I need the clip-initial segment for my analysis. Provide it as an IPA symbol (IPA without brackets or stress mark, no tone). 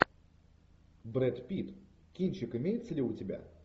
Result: b